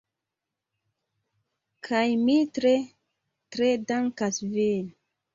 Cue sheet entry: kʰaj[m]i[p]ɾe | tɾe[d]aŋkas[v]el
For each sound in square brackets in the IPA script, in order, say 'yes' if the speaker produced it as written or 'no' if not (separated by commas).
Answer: yes, no, yes, yes